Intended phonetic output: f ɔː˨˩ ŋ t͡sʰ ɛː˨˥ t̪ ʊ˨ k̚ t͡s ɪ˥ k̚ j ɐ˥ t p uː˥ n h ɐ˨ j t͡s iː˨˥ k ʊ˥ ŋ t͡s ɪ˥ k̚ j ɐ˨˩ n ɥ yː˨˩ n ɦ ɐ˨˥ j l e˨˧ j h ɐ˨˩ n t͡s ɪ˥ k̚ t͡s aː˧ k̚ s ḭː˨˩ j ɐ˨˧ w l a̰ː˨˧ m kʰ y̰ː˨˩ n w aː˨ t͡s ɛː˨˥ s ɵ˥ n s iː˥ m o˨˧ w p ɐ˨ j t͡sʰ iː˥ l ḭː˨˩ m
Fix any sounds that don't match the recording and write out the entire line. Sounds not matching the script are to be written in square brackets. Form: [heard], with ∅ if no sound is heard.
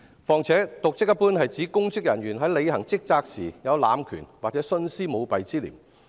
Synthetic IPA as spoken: f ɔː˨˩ ŋ t͡sʰ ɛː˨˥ t̪ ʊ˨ k̚ t͡s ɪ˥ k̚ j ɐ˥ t p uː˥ n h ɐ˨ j t͡s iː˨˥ k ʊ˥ ŋ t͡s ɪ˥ k̚ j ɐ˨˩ n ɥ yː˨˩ n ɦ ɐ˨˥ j l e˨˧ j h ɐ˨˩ [ŋ] t͡s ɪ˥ k̚ t͡s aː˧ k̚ s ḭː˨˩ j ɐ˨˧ w l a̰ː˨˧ m kʰ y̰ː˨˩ n w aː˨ t͡s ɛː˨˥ s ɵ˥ n s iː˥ m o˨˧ w p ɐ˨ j [t͡s] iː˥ l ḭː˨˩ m